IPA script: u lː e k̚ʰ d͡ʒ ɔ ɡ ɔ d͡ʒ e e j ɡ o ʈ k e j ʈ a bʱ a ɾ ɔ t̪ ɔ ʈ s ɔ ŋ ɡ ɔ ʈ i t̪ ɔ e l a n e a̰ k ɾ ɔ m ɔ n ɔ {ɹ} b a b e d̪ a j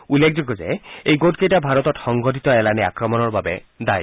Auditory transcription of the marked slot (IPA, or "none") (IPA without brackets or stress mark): ɾ